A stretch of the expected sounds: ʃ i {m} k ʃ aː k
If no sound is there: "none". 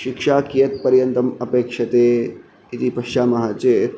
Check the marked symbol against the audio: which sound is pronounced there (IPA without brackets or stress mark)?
none